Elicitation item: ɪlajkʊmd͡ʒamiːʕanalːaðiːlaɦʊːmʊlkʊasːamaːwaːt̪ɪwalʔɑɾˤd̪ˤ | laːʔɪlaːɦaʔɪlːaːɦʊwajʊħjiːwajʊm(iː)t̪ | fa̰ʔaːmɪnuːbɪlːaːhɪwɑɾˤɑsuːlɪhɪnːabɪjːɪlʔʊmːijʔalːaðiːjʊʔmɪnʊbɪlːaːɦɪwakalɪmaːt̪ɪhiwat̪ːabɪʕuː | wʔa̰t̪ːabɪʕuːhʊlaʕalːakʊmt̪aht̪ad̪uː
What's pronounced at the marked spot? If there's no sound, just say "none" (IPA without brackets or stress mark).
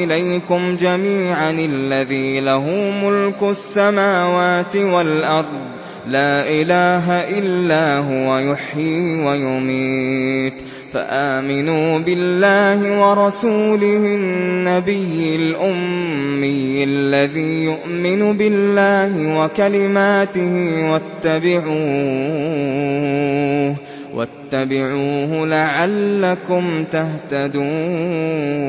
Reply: iː